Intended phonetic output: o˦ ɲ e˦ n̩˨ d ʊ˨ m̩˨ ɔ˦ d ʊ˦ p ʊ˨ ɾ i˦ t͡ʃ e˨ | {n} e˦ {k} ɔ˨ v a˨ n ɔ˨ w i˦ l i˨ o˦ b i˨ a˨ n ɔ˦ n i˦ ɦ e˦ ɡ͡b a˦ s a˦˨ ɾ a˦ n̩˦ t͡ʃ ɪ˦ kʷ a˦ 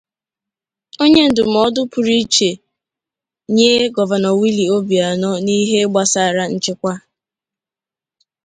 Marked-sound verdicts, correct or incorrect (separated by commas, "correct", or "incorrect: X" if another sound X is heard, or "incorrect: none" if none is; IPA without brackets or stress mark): incorrect: ɲ, incorrect: ɡ